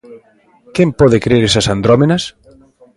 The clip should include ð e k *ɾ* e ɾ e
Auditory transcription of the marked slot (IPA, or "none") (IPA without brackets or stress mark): ɾ